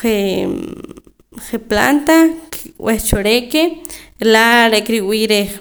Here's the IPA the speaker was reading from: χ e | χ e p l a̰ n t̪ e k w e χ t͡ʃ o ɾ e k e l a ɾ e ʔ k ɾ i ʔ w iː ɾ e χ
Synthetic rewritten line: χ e | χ e p l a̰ n t̪ a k w e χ t͡ʃ o ɾ e k e l a ɾ e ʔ k ɾ i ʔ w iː ɾ e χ